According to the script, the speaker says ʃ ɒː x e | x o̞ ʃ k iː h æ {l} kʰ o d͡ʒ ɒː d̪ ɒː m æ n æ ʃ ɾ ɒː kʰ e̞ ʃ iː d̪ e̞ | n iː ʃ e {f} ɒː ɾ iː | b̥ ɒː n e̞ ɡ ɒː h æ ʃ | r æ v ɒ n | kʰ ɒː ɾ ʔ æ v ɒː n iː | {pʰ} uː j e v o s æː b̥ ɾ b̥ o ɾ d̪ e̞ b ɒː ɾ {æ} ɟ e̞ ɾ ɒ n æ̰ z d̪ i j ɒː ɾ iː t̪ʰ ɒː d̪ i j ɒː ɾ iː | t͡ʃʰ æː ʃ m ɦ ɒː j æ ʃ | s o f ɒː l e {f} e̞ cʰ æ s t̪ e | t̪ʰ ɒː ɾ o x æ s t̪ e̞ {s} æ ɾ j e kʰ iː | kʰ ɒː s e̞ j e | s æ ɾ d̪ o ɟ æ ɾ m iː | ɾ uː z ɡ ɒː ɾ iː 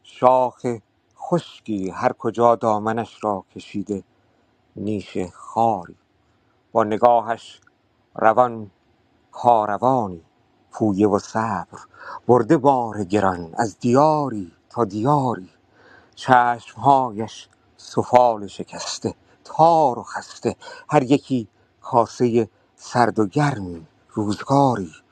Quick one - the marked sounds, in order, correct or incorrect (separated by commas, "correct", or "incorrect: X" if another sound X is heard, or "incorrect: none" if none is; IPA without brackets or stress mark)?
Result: incorrect: ɾ, incorrect: x, correct, incorrect: e, incorrect: ʃ, incorrect: h